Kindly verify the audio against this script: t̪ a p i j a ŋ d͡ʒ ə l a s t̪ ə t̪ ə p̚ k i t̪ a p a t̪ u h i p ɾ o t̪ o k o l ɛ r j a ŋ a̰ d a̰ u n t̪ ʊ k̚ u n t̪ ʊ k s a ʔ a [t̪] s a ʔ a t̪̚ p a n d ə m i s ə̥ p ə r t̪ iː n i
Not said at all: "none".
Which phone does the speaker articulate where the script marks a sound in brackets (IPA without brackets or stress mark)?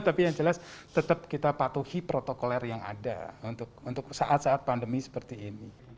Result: t̪